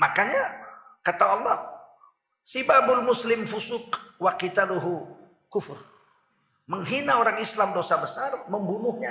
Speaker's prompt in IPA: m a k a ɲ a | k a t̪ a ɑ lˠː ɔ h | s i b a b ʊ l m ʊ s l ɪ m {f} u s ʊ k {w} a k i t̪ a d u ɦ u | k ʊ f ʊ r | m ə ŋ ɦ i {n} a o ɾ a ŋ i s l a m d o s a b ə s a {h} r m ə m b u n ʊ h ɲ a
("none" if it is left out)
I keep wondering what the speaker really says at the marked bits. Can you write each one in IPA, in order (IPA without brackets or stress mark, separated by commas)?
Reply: f, w, n, none